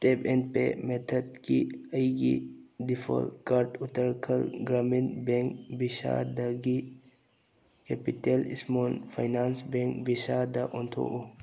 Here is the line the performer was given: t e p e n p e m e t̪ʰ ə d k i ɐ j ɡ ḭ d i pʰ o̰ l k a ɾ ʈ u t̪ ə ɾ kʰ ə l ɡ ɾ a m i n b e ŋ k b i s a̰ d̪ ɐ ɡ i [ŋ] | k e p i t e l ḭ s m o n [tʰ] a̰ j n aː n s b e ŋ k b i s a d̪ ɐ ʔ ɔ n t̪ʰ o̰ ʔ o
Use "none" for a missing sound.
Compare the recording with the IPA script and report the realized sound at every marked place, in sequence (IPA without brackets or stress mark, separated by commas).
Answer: none, pʰ